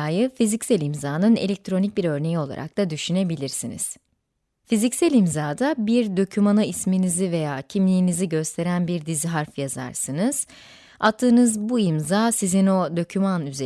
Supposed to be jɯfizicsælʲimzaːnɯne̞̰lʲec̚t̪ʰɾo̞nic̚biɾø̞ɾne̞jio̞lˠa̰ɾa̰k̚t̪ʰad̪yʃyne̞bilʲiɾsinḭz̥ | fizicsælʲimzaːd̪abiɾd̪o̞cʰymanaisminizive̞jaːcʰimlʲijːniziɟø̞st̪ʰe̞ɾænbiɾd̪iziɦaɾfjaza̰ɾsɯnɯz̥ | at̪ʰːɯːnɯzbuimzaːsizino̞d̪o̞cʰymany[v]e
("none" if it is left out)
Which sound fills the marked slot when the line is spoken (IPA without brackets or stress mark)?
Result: z